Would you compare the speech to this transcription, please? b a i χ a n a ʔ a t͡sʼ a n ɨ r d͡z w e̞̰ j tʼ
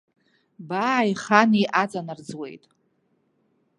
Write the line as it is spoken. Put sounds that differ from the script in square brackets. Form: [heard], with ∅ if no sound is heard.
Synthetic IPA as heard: b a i χ a n [i] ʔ a t͡sʼ a n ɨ r d͡z w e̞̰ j tʼ